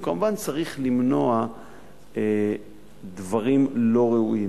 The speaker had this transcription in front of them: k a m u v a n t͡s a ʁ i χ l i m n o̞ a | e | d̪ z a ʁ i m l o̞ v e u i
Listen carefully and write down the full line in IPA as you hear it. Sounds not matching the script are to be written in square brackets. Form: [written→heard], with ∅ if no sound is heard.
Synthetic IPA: k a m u v a n t͡s a ʁ i χ l i m n o̞ a | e | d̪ [z→v] a ʁ i m l o̞ [v→ʁ] e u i